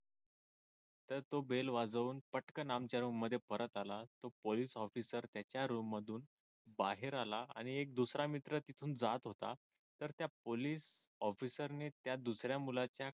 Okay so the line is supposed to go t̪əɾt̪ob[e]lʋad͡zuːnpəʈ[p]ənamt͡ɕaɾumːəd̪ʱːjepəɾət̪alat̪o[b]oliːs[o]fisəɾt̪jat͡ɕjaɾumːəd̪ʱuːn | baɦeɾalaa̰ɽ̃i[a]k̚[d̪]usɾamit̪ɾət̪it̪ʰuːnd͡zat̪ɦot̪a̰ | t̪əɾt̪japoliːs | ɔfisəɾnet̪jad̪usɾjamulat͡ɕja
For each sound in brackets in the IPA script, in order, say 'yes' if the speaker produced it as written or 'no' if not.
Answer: yes, no, no, no, no, yes

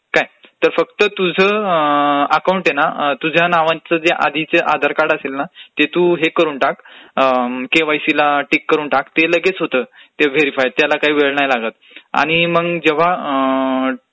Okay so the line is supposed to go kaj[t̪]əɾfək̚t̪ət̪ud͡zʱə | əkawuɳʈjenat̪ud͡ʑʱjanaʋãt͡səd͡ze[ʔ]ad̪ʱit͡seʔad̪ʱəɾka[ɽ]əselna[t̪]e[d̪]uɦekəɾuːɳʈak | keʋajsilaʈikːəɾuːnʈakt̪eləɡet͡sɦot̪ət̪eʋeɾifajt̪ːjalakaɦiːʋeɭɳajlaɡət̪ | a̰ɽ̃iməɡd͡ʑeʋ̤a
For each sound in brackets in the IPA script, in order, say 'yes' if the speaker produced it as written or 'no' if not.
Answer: yes, yes, yes, yes, no

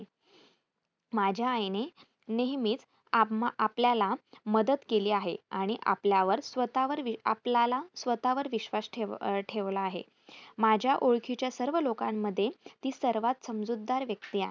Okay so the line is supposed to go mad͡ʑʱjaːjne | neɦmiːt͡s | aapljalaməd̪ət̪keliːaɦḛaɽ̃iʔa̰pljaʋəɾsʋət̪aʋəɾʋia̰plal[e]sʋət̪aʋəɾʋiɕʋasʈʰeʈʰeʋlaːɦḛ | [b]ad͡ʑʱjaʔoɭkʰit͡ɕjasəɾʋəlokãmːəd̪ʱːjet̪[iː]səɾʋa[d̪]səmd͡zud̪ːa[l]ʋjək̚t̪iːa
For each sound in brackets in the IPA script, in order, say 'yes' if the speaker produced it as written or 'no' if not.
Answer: no, no, yes, no, no

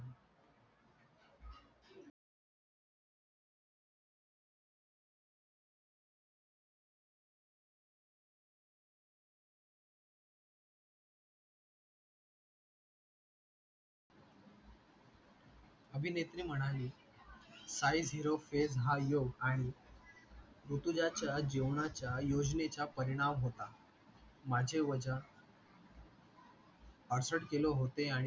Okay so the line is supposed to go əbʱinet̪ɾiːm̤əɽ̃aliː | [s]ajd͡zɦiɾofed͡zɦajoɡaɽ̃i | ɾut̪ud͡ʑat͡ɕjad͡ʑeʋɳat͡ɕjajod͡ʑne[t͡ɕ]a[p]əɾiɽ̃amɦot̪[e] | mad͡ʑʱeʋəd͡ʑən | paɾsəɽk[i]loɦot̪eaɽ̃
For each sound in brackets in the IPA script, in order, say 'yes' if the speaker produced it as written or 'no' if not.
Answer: yes, yes, yes, no, no

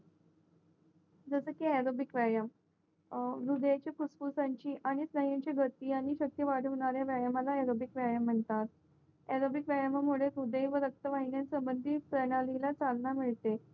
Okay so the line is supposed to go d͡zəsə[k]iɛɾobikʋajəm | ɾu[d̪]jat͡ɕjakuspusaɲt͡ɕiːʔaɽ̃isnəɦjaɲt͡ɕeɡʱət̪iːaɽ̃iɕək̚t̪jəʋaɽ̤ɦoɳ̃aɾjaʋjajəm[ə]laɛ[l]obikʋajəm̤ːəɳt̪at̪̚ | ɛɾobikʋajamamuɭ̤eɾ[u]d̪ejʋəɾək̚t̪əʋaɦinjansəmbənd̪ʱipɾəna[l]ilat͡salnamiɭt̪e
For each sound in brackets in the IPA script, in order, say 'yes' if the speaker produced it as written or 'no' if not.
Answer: yes, yes, no, no, yes, yes

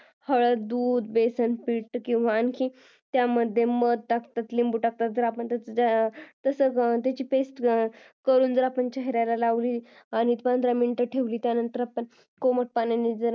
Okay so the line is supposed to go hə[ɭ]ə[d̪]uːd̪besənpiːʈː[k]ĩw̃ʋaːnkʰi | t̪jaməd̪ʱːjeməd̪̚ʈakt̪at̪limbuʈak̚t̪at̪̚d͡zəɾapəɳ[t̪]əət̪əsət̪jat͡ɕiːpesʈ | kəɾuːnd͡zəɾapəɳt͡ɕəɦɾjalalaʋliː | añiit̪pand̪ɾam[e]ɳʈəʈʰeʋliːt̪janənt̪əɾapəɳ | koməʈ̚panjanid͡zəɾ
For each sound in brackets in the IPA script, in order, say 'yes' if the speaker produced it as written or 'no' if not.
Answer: yes, yes, yes, yes, no

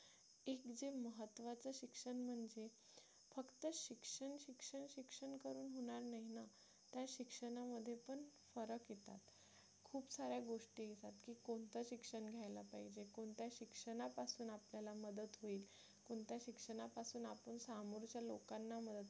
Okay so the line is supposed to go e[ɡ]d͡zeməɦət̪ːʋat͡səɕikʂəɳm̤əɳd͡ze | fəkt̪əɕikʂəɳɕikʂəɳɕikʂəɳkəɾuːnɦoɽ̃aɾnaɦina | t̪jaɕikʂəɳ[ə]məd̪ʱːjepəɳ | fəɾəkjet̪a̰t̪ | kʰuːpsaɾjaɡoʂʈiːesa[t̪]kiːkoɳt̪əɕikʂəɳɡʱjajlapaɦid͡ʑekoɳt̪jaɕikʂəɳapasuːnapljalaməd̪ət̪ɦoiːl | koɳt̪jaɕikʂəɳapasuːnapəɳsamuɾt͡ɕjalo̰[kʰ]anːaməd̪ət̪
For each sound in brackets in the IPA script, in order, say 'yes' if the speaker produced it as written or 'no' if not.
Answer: no, no, yes, no

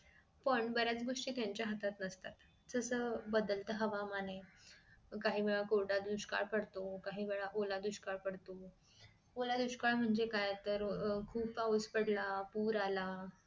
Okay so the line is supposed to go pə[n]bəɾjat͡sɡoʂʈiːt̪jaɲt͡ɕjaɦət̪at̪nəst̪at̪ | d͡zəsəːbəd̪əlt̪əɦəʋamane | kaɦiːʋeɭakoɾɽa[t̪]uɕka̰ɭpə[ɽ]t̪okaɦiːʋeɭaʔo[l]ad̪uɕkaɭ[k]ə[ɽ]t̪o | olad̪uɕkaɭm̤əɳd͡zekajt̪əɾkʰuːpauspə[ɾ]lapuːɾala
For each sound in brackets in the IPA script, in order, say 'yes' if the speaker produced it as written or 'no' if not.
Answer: no, no, yes, yes, no, yes, no

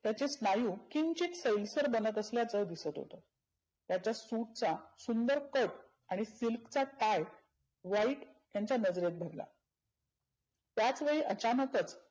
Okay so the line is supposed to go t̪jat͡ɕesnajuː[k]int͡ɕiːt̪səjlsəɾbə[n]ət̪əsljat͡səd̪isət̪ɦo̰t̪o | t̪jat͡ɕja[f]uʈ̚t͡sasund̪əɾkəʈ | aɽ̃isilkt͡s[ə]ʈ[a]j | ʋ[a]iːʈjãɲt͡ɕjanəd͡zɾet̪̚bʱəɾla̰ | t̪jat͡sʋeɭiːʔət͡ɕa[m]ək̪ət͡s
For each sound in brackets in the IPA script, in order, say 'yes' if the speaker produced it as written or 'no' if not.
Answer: yes, yes, no, no, yes, yes, no

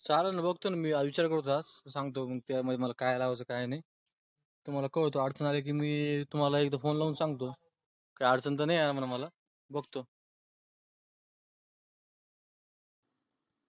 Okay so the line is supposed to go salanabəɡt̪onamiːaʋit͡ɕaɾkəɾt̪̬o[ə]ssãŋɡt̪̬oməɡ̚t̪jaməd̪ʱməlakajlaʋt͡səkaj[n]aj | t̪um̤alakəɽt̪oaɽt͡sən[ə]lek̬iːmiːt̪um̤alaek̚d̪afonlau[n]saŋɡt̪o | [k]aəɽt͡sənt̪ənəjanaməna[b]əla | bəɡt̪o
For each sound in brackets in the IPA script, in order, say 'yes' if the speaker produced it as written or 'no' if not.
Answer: no, yes, no, yes, yes, no

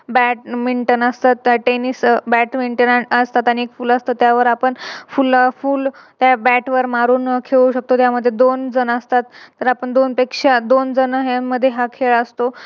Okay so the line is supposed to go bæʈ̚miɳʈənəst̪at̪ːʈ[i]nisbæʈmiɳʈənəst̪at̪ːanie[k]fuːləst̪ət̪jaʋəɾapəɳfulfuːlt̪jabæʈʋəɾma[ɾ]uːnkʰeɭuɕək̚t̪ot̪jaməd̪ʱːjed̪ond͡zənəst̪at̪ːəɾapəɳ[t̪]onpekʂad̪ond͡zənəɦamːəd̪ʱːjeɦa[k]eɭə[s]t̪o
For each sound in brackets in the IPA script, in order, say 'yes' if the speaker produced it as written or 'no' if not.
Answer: no, yes, yes, no, no, yes

